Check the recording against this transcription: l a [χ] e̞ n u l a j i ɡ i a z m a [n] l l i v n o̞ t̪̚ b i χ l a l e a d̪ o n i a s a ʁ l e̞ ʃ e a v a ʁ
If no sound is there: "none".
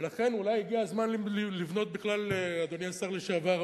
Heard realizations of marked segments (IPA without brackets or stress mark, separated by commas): χ, n